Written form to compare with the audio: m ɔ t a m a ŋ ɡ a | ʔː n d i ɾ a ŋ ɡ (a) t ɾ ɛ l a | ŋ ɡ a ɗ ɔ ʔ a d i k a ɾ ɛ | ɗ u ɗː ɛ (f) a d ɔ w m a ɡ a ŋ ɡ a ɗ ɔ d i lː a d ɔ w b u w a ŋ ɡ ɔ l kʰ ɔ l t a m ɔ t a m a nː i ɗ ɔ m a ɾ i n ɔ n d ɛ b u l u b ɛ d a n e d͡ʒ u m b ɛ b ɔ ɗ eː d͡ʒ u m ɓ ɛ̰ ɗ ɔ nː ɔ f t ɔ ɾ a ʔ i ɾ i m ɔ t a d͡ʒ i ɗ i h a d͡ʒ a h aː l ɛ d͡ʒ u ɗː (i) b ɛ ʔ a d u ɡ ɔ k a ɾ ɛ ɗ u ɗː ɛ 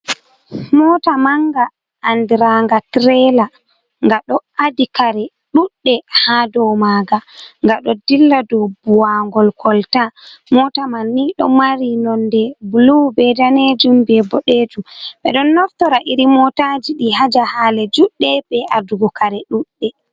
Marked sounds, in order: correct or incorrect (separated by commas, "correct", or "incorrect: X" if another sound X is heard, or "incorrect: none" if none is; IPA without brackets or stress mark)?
correct, incorrect: h, incorrect: ɛ